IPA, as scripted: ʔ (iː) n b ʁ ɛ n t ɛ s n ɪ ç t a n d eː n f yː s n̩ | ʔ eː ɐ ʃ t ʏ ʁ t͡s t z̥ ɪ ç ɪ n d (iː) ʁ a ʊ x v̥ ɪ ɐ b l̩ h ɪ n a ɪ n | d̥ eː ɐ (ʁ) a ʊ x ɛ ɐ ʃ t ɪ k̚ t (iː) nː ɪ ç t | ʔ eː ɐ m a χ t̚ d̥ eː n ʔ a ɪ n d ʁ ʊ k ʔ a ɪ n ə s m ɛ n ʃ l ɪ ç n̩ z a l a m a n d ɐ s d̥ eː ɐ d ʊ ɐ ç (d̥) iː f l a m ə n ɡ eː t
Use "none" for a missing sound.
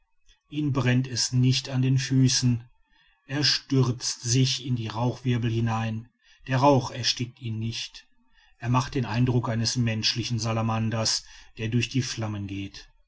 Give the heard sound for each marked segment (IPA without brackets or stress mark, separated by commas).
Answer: iː, iː, ʁ, iː, d̥